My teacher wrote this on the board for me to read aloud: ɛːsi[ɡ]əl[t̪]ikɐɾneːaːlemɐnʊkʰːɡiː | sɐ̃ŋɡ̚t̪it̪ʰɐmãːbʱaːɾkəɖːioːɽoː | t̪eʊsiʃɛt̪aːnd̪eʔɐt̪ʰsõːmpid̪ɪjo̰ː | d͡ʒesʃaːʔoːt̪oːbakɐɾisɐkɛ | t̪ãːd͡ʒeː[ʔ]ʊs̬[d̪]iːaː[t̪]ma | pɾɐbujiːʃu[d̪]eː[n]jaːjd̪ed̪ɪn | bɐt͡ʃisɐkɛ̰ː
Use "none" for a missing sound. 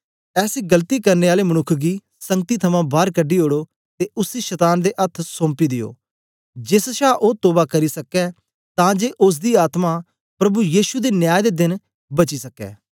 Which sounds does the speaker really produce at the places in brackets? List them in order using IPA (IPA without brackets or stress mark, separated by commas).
ɡ, t̪, ʔ, d̪, t̪, d̪, n